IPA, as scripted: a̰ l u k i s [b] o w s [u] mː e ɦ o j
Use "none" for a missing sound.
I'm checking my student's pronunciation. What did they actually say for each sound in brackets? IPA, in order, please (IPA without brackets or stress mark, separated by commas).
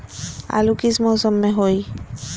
m, ɔ